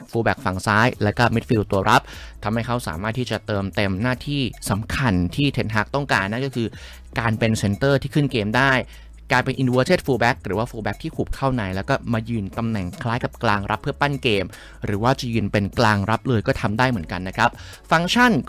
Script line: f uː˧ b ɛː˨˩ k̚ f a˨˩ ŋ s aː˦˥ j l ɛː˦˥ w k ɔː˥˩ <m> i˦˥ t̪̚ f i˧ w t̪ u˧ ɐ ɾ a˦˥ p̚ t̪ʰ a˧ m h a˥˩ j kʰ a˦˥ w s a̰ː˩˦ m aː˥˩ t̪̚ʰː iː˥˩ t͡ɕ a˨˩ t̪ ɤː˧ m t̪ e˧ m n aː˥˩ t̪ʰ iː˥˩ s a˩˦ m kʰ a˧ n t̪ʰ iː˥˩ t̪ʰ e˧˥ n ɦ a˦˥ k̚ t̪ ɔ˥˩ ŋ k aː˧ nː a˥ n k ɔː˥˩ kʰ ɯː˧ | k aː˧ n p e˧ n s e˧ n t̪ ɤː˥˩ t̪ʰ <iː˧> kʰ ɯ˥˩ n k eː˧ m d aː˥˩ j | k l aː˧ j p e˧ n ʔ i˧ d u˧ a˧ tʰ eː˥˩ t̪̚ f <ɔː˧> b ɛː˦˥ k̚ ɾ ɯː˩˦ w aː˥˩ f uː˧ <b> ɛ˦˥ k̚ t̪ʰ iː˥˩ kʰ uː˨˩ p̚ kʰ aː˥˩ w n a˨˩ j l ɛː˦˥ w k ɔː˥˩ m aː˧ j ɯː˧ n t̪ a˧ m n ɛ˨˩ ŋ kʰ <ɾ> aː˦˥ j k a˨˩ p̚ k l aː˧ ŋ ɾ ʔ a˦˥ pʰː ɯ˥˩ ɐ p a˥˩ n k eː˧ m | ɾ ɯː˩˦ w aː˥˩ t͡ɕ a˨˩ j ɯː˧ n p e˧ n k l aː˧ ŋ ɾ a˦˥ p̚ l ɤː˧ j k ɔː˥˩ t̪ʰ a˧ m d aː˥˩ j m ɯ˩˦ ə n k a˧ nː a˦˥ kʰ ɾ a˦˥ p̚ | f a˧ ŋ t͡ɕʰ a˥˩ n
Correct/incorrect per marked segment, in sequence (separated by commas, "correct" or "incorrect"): correct, incorrect, incorrect, correct, incorrect